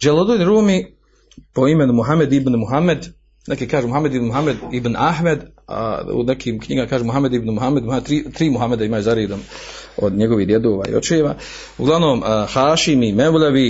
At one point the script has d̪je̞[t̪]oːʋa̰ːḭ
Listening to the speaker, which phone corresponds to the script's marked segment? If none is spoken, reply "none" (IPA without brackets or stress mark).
d̪